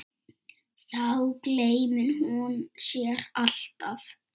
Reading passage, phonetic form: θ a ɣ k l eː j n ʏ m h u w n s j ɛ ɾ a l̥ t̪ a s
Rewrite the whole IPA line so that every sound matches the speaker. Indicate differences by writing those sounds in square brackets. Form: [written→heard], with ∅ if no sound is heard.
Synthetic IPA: θ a [ɣ→w] k l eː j [n→m] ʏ [m→n] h u [w→∅] n s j ɛ ɾ a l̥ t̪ a [s→f]